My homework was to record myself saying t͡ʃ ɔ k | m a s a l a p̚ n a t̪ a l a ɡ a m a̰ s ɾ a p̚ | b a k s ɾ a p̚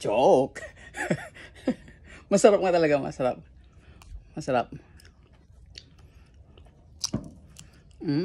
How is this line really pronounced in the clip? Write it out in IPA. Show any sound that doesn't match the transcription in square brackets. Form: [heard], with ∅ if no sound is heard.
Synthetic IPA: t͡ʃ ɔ k | m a s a [ɾ] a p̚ [ŋ] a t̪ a l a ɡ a m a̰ s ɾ a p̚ | [m] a [∅] s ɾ a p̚